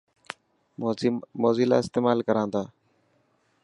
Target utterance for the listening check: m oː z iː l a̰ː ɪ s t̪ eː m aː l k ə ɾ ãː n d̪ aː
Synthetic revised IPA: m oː z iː l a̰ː ɪ s t̪ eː m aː l k ə ɾ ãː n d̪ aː